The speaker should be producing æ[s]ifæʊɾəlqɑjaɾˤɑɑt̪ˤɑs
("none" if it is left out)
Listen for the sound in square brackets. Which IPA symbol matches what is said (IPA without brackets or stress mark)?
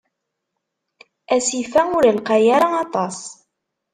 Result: s